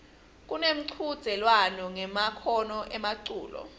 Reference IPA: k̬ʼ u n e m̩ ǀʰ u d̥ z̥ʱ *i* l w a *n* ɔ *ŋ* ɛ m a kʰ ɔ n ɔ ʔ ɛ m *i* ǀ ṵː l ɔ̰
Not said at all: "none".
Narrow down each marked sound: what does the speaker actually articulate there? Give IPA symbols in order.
ɛ, n, ŋ, a

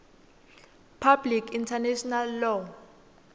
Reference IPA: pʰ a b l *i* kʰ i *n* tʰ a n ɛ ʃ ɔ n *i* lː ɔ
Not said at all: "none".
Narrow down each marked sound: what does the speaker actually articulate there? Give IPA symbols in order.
i, n, a

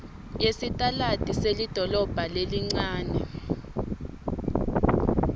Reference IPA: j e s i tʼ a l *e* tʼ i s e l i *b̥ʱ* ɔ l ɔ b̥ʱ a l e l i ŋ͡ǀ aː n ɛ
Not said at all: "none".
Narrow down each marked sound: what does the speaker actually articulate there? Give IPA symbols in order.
a, d̥ʱ

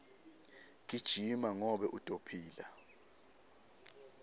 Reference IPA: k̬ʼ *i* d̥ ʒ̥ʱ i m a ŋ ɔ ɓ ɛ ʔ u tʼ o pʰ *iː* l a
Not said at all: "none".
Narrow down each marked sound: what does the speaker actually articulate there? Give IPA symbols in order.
i, iː

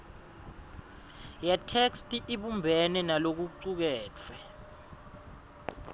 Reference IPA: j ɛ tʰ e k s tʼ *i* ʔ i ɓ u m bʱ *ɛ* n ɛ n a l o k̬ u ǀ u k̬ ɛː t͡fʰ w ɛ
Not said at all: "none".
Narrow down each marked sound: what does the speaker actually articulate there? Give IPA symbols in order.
i, ɛ

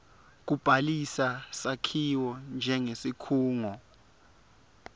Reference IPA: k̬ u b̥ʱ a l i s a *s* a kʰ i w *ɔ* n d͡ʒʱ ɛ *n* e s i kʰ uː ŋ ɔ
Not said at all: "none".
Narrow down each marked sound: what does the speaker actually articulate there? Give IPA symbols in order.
s, ɔ, ŋ

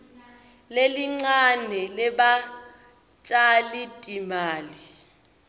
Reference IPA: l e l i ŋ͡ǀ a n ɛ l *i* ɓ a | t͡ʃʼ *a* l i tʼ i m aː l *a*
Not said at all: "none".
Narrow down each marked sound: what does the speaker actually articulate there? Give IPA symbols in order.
ɛ, a, i

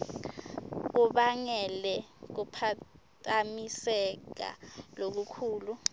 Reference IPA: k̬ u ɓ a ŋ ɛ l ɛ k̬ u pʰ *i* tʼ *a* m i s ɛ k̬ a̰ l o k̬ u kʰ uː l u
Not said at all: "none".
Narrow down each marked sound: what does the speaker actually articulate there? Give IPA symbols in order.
a, a

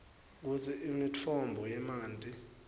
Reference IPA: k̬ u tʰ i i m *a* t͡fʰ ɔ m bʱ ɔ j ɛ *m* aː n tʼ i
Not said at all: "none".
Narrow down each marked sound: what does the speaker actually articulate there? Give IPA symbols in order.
i, m

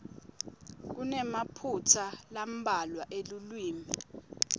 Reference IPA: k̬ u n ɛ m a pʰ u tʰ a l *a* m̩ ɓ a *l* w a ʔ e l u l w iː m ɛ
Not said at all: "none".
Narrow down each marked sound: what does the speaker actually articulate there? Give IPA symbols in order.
a, l

